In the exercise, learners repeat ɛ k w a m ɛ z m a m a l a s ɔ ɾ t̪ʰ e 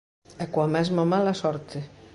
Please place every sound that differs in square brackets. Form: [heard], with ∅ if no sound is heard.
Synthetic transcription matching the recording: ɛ k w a m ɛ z m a m a l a s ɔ ɾ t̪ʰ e